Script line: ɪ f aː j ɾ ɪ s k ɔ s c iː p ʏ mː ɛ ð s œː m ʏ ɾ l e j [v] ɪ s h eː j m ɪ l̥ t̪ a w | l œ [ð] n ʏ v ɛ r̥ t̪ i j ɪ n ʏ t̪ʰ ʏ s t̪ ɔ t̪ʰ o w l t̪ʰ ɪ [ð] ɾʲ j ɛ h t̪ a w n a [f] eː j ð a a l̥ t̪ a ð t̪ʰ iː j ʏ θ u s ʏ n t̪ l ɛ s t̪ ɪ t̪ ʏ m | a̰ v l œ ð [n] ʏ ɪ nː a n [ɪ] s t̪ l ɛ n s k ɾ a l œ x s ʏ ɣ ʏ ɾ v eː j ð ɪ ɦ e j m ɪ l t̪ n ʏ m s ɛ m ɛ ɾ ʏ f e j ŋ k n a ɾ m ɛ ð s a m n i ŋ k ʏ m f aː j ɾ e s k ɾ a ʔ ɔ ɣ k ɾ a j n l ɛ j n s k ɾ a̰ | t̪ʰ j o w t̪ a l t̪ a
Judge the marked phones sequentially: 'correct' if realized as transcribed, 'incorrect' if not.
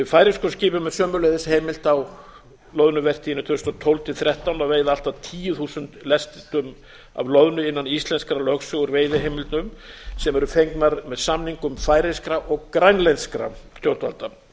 incorrect, correct, incorrect, incorrect, correct, incorrect

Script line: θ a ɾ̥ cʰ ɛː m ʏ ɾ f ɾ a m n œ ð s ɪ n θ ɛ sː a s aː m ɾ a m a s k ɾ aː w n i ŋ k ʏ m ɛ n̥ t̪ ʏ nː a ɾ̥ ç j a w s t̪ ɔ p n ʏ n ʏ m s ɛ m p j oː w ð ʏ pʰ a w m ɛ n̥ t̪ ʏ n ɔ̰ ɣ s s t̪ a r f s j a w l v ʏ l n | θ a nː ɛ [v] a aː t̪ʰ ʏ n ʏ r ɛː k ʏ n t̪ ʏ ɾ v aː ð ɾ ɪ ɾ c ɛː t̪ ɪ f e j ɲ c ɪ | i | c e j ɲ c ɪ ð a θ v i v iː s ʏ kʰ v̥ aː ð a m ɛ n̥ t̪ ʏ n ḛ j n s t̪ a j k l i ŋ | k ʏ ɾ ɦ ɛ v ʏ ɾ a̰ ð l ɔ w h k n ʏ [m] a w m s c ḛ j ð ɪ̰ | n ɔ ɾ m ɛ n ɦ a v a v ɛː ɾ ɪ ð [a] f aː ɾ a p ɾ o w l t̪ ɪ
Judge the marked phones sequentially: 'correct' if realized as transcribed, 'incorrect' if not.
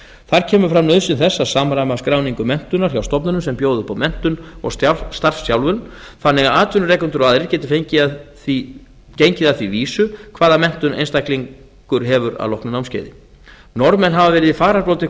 incorrect, incorrect, incorrect

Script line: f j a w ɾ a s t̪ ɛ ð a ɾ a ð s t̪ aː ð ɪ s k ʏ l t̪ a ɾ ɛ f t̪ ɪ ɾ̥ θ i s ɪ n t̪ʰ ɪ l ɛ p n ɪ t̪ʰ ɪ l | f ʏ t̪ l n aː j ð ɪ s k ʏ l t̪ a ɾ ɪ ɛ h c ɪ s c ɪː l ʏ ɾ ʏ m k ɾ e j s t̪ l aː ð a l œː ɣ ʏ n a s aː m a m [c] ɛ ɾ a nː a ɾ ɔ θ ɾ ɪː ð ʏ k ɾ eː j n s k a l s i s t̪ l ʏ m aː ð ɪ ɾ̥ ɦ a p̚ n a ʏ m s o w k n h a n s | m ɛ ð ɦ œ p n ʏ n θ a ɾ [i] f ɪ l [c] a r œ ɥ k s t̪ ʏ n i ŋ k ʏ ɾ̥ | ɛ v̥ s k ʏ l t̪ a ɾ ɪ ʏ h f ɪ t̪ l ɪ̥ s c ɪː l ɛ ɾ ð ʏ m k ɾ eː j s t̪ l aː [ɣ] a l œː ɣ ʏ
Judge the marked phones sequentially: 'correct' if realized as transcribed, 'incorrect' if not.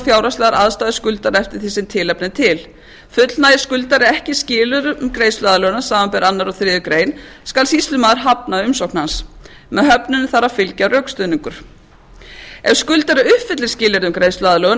incorrect, incorrect, correct, incorrect

